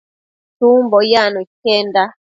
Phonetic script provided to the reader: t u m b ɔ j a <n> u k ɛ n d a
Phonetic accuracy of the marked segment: correct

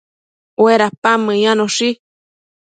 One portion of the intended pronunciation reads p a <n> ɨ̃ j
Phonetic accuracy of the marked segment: incorrect: m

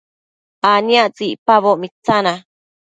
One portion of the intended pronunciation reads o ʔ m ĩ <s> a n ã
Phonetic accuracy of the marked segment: incorrect: t͡s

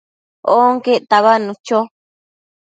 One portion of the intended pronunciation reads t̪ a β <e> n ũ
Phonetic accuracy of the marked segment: incorrect: a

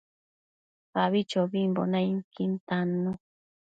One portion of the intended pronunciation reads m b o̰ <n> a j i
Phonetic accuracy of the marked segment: correct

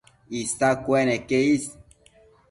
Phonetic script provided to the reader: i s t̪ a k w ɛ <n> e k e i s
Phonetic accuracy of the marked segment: correct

